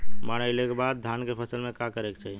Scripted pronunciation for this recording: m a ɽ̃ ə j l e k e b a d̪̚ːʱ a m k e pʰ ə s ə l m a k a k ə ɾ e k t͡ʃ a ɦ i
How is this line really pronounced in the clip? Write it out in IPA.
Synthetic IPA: m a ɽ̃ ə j l e k e b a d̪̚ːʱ a n k e pʰ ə s ə l m e k a k ə ɾ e k t͡ʃ a ɦ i